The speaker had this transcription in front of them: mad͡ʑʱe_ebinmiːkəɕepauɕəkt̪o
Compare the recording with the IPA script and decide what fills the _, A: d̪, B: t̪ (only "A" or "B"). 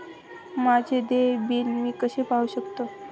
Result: A